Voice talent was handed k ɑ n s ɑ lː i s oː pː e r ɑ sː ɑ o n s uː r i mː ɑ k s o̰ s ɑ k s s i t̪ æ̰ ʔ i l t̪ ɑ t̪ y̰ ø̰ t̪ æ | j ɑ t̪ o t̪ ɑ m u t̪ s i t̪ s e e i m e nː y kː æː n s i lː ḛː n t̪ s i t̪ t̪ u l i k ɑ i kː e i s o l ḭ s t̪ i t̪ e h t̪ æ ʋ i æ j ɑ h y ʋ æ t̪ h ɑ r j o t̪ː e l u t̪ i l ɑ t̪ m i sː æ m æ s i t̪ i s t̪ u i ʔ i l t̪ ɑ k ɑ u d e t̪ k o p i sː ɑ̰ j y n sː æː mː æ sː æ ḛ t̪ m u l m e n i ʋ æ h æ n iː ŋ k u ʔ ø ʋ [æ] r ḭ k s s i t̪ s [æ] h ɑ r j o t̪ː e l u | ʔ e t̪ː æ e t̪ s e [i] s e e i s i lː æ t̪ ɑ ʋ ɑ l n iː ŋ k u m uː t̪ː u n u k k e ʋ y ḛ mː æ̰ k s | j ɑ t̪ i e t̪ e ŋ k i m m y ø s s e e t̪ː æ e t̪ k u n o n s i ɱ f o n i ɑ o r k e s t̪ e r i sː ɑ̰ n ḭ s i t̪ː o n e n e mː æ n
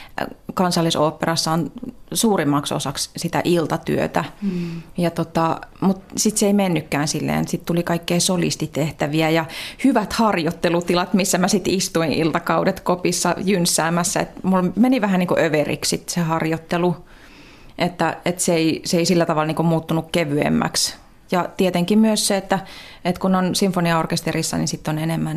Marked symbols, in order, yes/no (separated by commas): no, no, yes